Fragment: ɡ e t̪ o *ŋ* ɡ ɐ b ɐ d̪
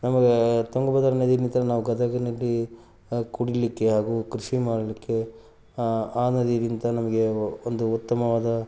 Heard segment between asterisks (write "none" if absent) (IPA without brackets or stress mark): ŋ